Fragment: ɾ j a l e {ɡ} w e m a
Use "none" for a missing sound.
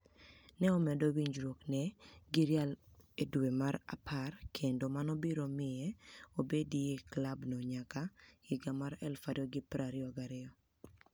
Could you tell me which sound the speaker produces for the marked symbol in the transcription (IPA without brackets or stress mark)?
d